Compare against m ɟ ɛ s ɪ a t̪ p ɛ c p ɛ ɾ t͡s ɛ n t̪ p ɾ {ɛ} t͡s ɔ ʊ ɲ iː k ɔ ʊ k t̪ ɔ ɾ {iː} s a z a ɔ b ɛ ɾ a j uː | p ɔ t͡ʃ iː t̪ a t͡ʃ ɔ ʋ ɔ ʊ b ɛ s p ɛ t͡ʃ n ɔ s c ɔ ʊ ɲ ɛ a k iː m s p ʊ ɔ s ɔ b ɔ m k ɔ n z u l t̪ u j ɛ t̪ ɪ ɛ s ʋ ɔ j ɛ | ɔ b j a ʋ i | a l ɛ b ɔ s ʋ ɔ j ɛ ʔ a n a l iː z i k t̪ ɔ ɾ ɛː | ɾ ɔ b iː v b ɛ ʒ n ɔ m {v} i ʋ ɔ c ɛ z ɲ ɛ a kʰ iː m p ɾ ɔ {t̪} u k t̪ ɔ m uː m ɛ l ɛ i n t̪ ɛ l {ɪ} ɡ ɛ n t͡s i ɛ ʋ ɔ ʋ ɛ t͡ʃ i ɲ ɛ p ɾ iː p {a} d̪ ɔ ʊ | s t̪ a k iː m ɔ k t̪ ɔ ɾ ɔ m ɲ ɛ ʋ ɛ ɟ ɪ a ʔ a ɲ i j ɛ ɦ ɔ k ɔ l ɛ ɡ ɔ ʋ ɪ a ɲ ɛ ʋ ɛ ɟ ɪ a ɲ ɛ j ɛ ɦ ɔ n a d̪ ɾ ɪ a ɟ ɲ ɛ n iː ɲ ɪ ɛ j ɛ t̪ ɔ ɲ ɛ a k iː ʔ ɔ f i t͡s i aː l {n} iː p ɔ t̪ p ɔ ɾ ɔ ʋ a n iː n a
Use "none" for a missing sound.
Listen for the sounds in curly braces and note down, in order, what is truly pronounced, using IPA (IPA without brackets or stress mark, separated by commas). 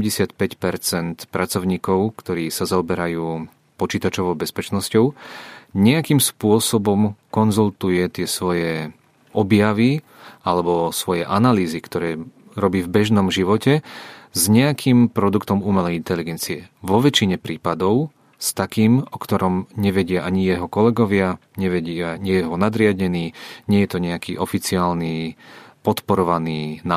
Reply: a, iː, ʒ, d̪, i, a, n